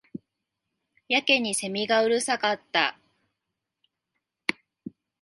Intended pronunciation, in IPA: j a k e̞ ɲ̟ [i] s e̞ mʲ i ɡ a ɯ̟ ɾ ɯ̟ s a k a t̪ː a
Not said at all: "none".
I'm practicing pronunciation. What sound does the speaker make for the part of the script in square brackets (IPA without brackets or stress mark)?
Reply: i